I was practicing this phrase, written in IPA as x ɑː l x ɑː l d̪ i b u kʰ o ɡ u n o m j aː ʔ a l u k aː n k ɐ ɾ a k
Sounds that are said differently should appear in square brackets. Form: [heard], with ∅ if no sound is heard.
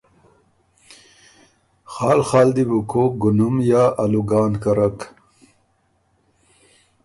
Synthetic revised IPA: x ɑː l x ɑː l d̪ i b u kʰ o ɡ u n [u] m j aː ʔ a l u [ɡ] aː n k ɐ ɾ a k